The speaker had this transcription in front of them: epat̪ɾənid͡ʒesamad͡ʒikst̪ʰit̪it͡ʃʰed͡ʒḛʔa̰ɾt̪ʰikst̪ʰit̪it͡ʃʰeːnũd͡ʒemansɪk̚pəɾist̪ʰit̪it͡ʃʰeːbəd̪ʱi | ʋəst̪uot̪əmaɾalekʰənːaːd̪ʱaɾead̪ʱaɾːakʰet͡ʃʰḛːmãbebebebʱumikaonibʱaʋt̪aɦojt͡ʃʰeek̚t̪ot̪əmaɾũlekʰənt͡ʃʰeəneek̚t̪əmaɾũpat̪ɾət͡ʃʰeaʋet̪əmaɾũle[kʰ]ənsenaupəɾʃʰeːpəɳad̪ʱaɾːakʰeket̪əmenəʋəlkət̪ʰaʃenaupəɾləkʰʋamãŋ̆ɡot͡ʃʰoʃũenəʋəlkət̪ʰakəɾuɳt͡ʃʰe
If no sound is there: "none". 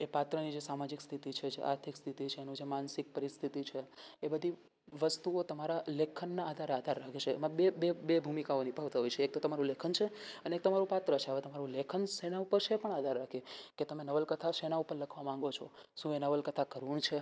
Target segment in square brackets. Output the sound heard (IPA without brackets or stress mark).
kʰ